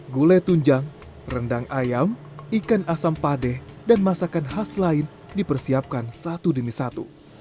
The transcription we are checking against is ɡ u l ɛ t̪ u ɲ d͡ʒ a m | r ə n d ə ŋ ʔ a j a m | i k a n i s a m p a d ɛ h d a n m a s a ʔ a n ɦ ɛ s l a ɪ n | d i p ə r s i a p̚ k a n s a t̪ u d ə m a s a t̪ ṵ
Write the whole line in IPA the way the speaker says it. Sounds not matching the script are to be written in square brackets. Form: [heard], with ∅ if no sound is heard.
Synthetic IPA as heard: ɡ u l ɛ t̪ u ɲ d͡ʒ a [ŋ] | r ə n d [a] ŋ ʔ a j a m | i k a n [a] s a m p a d ɛ h d a n m a s a [k] a n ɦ [a] s l a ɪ n | d i p ə r s i a p̚ k a n s a t̪ u d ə m [i] s a t̪ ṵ

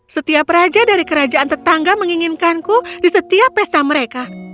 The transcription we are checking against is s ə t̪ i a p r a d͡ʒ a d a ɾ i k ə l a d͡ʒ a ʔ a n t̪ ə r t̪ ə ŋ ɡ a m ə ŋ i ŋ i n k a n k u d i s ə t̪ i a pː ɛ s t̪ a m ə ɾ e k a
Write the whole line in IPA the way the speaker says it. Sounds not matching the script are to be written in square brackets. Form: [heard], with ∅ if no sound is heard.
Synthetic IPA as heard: s ə t̪ i a p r a d͡ʒ a d a ɾ i k ə [ɾ] a d͡ʒ a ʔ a n t̪ ə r t̪ [a] ŋ ɡ a m ə ŋ i ŋ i n k a n k u d i s ə t̪ i a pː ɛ s t̪ a m ə ɾ e k a

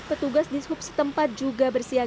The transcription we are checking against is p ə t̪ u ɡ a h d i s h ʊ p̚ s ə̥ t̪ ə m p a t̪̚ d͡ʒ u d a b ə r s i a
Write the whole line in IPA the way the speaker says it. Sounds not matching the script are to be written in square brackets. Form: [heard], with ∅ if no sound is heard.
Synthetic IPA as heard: p ə t̪ u ɡ a [s] d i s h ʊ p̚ s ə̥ t̪ ə m p a t̪̚ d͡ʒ u [ɡ] a b ə r s i a

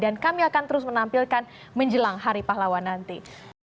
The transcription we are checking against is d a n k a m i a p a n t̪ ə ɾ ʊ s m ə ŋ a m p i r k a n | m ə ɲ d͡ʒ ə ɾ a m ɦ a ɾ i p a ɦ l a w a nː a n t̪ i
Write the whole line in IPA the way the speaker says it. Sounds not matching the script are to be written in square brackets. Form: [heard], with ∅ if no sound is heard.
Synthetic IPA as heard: d a n k a m i a [k] a n t̪ ə ɾ ʊ s m ə [n] a m p i [l] k a n | m ə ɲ d͡ʒ ə [l] a [ŋ] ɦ a ɾ i p a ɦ l a w a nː a n t̪ i

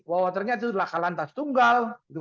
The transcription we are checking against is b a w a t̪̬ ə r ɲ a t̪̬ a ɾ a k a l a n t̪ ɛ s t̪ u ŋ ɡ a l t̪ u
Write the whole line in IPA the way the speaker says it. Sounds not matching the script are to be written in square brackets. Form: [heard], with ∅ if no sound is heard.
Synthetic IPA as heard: [w] a w a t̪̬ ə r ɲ a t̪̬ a [l] a k a l a n t̪ [a] s t̪ u ŋ ɡ a l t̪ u

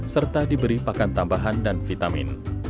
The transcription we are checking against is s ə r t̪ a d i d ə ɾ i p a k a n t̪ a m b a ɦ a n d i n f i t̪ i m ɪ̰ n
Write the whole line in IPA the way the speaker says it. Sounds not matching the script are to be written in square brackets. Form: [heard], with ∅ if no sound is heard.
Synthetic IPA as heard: s ə r t̪ a d i [b] ə ɾ i p a k a n t̪ a m b a ɦ a n d [a] n f i t̪ [a] m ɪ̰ n

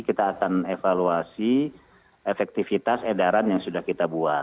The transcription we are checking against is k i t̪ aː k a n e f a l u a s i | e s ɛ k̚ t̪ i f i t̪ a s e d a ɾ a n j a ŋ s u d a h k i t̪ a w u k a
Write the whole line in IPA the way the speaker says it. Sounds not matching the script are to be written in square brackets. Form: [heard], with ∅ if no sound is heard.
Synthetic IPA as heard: k i t̪ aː k a n e f a l u a s i | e [f] ɛ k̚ t̪ i f i t̪ a s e d a ɾ a n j a ŋ s u d a h k i t̪ a [b] u [∅] a

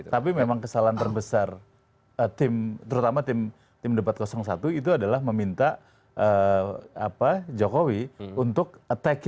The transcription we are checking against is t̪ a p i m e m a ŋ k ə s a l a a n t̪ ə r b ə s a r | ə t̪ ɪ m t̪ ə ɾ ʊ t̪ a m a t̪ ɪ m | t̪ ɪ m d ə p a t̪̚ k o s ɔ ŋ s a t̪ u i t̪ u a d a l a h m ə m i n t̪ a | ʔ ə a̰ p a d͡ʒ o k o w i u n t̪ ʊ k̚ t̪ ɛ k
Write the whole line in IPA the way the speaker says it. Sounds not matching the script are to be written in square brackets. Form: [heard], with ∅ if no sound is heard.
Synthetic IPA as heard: t̪ a p i m e m a ŋ k ə s a l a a n t̪ ə r b ə s a r | ə t̪ ɪ m t̪ ə ɾ [u] t̪ a m a t̪ ɪ m | t̪ ɪ m d ə p a t̪̚ k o s ɔ ŋ s a t̪ u i t̪ u a d a l a h m ə m i n t̪ a | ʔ ə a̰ p a d͡ʒ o k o w i u n t̪ ʊ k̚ t̪ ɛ k

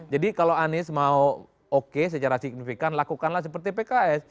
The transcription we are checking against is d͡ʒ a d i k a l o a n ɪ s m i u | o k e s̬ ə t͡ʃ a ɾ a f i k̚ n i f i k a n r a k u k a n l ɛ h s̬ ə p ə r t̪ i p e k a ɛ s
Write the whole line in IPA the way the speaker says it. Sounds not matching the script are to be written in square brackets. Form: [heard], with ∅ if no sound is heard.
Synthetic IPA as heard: d͡ʒ a d i k a l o a n ɪ s m [a] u | o k e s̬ ə t͡ʃ a ɾ a [s] i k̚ n i f i k a n [l] a k u k a n l [a] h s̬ ə p ə r t̪ i p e k a ɛ s

